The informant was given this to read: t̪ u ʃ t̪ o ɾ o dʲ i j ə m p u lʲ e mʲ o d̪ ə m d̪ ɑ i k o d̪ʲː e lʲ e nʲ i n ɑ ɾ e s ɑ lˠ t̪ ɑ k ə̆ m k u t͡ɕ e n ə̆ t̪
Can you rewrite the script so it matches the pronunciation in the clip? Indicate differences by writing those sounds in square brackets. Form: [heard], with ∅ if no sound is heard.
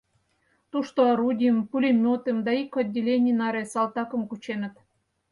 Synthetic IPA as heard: t̪ u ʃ t̪ o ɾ [u] dʲ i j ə m p u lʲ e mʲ o [t̪] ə m d̪ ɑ i k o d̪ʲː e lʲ e nʲ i n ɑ ɾ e s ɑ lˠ t̪ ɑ k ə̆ m k u t͡ɕ e n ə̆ t̪